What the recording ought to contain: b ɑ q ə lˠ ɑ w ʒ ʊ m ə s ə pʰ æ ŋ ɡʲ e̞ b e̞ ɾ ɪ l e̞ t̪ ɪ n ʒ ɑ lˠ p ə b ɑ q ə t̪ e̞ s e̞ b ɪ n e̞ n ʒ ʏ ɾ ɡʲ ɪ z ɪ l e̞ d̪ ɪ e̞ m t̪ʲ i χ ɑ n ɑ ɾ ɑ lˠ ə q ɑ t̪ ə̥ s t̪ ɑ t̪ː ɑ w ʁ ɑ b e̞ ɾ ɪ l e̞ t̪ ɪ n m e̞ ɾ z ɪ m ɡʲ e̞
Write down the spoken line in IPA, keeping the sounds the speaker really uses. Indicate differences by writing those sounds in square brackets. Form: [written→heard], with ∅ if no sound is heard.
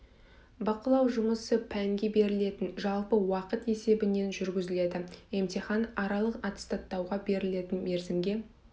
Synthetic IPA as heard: b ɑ q ə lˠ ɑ w ʒ ʊ m ə s ə pʰ æ ŋ ɡʲ e̞ b e̞ ɾ ɪ l e̞ t̪ ɪ n ʒ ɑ lˠ p ə [b→w] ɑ q ə t̪ e̞ s e̞ b ɪ n e̞ n ʒ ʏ ɾ ɡʲ ɪ z ɪ l e̞ d̪ ɪ e̞ m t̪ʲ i χ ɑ n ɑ ɾ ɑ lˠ ə q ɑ t̪ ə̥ s t̪ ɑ t̪ː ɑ w ʁ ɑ b e̞ ɾ ɪ l e̞ t̪ ɪ n m e̞ ɾ z ɪ m ɡʲ e̞